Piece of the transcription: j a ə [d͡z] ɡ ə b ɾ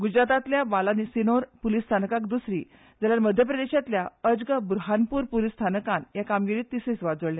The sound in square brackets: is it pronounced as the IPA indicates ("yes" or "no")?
yes